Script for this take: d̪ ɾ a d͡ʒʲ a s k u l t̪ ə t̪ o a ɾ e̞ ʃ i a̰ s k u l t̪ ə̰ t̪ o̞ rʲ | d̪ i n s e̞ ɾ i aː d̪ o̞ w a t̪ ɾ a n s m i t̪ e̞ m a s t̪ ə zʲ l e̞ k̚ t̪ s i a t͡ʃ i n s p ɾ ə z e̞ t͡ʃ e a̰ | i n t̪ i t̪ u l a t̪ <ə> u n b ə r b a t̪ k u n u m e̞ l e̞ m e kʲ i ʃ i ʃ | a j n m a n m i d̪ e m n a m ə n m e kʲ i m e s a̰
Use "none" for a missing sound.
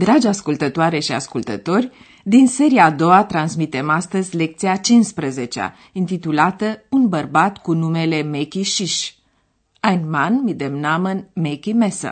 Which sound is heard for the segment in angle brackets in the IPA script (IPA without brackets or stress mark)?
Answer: ə